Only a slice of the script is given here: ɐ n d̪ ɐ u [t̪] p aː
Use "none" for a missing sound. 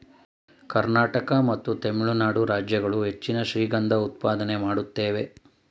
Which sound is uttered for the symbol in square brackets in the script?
t̪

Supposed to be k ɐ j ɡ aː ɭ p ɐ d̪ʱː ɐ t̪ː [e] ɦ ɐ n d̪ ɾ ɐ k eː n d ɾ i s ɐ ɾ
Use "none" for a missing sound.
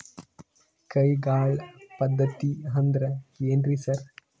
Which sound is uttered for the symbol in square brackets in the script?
i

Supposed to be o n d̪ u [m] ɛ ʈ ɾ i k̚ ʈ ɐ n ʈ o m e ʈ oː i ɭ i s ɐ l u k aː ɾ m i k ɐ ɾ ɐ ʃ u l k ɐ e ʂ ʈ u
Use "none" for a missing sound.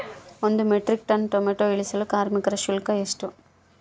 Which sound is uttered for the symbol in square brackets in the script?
m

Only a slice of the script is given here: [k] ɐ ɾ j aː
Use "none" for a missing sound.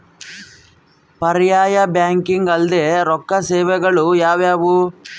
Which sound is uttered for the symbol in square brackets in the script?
p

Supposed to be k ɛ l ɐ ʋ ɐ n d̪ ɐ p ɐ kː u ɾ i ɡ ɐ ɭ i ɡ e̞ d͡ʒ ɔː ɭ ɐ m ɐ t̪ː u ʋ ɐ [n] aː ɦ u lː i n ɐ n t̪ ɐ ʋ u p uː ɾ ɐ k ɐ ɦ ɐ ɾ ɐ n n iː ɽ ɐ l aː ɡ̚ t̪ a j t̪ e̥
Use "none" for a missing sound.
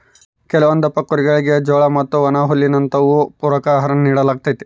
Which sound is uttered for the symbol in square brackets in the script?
n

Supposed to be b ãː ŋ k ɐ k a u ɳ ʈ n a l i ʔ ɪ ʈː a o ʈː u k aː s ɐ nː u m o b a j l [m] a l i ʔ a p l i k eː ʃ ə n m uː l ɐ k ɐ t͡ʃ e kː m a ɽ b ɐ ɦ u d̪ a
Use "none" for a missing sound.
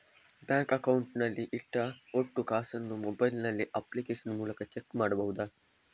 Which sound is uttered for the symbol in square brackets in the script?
n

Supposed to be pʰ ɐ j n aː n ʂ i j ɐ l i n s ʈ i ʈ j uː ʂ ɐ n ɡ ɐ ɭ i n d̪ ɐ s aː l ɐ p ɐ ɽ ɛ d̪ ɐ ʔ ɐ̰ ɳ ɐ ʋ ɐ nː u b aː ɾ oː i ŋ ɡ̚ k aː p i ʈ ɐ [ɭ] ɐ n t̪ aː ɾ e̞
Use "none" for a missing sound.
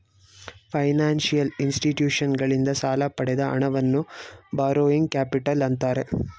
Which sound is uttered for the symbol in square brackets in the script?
l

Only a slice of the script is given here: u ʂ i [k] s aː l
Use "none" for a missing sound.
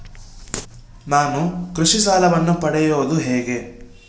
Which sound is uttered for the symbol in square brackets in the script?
none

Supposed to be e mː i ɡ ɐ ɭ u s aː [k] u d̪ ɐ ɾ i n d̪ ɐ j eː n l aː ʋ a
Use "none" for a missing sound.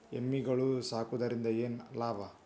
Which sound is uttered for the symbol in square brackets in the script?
k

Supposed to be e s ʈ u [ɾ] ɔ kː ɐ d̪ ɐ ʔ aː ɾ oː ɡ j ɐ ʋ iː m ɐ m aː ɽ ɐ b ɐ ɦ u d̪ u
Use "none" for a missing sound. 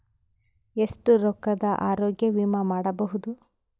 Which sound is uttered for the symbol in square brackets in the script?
ɾ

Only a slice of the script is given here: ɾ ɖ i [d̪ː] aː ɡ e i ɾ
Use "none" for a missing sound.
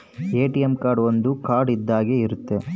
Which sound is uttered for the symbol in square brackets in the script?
d̪ː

